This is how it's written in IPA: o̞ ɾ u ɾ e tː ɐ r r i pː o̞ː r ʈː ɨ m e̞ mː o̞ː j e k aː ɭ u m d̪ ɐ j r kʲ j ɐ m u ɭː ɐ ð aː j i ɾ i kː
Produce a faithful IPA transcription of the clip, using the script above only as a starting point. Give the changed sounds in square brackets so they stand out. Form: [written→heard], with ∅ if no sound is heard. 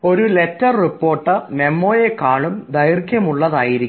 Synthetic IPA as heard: o̞ ɾ u [ɾ→l] e tː ɐ r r i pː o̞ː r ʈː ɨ m e̞ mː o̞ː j e k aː ɭ u m d̪ ɐ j r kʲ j ɐ m u ɭː ɐ ð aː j i ɾ i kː